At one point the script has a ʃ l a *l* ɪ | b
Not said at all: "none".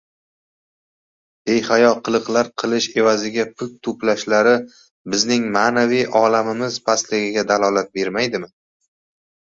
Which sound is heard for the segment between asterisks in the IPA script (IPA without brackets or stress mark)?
ɾ